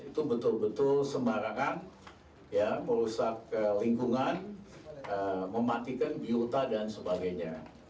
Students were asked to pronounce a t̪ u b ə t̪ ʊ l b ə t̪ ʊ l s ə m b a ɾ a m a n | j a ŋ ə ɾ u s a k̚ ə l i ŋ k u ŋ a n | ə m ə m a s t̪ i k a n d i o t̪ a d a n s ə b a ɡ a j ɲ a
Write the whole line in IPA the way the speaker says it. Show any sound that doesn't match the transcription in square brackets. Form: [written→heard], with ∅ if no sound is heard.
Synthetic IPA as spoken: [a→i] t̪ u b ə t̪ ʊ l b ə t̪ ʊ l s ə m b a ɾ a [m→ŋ] a n | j a [ŋ→m] ə ɾ u s a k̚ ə l i ŋ k u ŋ a n | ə m ə m a [s→∅] t̪ i k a n [d→b] i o t̪ a d a n s ə b a ɡ a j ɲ a

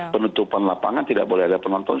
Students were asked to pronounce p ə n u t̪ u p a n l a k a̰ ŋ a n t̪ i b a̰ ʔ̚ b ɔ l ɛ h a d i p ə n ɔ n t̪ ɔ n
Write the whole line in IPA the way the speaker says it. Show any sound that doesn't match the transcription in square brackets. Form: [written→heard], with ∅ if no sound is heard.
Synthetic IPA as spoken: p ə n u t̪ u p a n l a [k→p] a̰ ŋ a n t̪ i [b→d] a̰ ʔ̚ b [ɔ→o] l ɛ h a d [i→a] p ə n ɔ n t̪ ɔ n

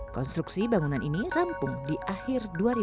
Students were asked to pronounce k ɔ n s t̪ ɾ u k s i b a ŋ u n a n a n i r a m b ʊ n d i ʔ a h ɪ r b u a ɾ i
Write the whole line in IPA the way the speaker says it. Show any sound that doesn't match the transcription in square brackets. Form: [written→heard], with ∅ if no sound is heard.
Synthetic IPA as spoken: k ɔ n s t̪ ɾ u k s i b a ŋ u n a n [a→i] n i r a m [b→p] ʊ [n→ŋ] d i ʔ a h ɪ r [b→d] u a ɾ i

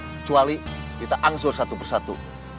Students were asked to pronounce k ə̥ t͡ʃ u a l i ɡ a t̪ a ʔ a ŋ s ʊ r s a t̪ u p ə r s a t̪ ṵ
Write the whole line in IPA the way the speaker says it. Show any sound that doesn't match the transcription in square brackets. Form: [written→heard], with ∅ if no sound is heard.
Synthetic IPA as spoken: k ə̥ t͡ʃ u a l i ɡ [a→i] t̪ a ʔ a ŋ s ʊ r s a t̪ u p ə r s a t̪ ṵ

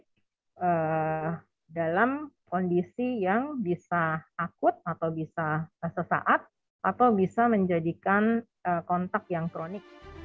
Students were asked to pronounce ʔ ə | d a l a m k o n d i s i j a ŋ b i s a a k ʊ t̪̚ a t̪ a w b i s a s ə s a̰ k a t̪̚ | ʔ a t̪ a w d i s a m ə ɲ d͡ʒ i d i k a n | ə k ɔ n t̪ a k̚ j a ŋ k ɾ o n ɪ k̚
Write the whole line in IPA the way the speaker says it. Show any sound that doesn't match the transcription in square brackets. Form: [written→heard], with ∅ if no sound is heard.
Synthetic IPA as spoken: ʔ ə | d a l a m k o n d i s i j a ŋ b i s a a k ʊ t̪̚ a t̪ a w b i s a s ə s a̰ [k→ʔ] a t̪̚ | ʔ a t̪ a w [d→b] i s a m ə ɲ d͡ʒ [i→a] d i k a n | ə k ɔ n t̪ a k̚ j a ŋ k ɾ o n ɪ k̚

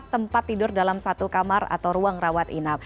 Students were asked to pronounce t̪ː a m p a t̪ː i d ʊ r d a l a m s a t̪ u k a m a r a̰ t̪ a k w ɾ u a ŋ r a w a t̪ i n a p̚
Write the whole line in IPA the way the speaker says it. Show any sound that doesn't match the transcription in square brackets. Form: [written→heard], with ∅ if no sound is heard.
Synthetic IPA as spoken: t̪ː [a→ə] m p a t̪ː i d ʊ r d a l a m s a t̪ u k a m a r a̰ t̪ a [k→∅] w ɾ u a ŋ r a w a t̪ i n a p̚

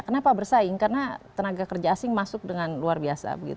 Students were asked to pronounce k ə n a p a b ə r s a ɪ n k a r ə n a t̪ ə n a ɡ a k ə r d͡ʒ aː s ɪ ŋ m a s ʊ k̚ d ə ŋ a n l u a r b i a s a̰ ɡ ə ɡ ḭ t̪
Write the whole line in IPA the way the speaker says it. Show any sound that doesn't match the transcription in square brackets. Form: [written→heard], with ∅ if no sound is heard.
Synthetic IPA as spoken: k ə n a p a b ə r s a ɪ [n→ŋ] k a r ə n a t̪ ə n a ɡ a k ə r d͡ʒ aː s ɪ ŋ m a s ʊ k̚ d ə ŋ a n l u a r b i a s a̰ [ɡ→b] ə ɡ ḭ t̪

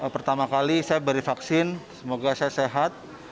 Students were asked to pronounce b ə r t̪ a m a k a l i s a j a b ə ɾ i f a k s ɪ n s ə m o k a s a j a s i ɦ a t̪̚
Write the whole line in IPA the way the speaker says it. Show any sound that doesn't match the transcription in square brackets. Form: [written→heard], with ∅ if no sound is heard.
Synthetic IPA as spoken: [b→p] ə r t̪ a m a k a l i s a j a b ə ɾ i f a k s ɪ n s ə m o [k→ɡ] a s a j a s [i→e] ɦ a t̪̚

